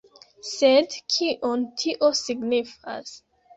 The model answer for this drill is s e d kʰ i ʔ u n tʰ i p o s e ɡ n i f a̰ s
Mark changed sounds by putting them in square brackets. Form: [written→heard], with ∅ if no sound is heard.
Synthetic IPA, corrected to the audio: s e d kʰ i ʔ [u→o] n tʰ i [p→ʔ] o s [e→i] ɡ n i f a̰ s